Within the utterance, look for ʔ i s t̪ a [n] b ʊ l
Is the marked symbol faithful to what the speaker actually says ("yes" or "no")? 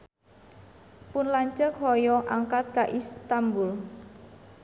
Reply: no